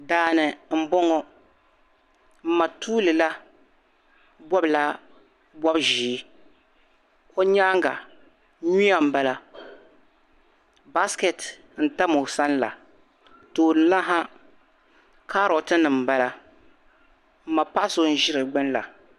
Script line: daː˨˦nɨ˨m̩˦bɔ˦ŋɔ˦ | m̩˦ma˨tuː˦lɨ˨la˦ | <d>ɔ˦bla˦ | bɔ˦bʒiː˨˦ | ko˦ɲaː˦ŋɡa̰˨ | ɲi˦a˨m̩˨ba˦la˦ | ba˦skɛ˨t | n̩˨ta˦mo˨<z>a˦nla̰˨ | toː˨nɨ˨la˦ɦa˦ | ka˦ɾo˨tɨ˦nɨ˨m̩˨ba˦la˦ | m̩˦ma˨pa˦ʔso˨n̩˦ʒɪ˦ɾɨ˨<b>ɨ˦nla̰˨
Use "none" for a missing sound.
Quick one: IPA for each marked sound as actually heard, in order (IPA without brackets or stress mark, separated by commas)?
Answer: b, s, ɡ͡b